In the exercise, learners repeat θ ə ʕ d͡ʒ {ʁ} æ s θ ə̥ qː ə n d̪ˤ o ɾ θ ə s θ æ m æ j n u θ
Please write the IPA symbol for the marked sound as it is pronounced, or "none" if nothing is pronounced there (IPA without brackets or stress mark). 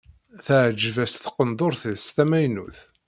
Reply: v